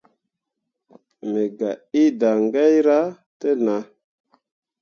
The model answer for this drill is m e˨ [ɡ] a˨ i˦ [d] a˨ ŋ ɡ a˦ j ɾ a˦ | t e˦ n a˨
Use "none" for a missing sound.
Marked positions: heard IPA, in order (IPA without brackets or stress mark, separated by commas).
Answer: ɡ, d